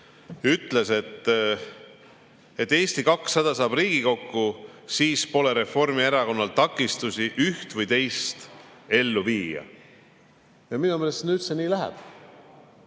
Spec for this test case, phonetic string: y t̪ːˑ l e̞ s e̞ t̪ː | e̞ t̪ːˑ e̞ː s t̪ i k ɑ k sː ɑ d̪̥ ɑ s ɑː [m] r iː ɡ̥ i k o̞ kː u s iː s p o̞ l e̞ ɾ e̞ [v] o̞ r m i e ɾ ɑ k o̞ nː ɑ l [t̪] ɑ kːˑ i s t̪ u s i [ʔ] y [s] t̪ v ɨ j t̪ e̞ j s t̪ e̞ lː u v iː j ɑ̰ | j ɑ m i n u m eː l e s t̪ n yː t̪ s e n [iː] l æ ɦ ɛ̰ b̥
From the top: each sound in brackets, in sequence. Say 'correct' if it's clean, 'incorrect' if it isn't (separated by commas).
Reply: incorrect, incorrect, correct, correct, incorrect, correct